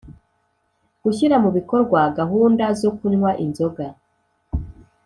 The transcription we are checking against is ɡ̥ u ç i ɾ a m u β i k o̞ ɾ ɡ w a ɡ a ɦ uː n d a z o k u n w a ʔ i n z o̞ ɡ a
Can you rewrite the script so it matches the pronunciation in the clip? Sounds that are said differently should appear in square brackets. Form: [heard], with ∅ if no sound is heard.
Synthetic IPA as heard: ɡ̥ u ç i ɾ a m u β i k o̞ ɾ ɡ w a ɡ a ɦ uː n d a z o k u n w a ʔ i n z o̞ ɡ a